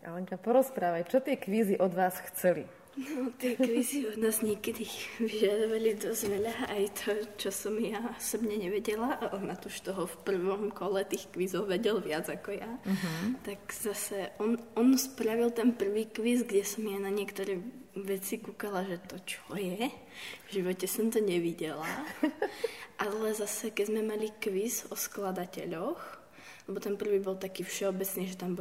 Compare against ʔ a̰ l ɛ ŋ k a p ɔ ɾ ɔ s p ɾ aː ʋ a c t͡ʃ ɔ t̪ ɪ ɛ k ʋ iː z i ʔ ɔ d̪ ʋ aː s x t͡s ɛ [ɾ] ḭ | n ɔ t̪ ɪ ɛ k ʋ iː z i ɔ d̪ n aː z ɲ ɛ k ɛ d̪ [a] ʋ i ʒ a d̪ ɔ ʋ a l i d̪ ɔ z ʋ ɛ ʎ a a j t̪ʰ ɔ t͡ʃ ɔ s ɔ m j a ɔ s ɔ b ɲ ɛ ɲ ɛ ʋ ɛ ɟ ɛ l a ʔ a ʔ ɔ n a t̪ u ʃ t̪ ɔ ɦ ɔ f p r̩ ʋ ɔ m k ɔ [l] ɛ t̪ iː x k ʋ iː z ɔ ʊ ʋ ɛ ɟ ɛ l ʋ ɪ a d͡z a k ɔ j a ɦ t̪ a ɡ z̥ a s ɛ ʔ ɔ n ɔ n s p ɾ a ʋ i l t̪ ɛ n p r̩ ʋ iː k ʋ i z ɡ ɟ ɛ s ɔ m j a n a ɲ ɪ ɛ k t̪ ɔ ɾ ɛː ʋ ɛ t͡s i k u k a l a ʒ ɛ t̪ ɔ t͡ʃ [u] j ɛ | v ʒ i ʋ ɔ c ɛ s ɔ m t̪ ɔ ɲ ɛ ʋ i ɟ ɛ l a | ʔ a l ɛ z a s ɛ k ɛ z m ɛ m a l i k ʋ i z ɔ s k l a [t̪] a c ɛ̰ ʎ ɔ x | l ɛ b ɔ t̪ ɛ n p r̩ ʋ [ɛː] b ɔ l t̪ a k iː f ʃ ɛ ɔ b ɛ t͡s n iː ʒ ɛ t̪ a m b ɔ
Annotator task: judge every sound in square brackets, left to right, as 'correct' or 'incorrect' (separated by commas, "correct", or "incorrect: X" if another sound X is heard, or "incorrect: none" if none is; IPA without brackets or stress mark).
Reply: incorrect: l, incorrect: i, correct, incorrect: ɔ, incorrect: d̪, incorrect: iː